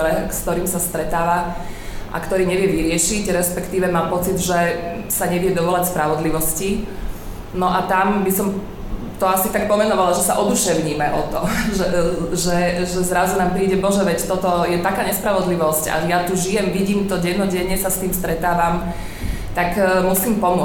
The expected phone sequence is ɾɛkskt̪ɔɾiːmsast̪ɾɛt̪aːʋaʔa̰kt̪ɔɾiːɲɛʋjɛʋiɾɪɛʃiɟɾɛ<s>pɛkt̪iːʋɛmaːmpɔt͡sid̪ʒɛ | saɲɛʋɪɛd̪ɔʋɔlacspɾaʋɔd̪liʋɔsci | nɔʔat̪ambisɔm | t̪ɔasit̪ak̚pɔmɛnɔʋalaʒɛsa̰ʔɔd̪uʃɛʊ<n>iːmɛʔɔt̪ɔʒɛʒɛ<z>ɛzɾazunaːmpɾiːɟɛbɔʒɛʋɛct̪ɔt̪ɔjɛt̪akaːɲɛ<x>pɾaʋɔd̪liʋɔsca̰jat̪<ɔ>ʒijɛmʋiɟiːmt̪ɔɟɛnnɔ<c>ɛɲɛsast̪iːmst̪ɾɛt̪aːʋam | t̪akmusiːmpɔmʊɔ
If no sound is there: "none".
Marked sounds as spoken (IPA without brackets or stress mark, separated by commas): s, ɲ, ʒ, s, u, ɟ